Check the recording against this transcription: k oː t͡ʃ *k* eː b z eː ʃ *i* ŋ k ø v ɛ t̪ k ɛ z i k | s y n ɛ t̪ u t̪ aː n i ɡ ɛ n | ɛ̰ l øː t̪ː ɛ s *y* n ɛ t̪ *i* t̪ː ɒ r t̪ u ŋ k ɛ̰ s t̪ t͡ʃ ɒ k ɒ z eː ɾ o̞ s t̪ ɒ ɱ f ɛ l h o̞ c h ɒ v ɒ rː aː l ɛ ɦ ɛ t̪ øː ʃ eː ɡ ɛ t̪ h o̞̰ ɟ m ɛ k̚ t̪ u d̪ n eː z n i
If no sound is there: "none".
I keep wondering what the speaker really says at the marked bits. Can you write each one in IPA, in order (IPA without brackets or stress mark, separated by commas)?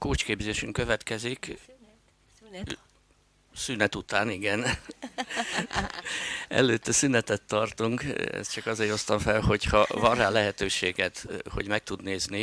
k, y, y, ɛ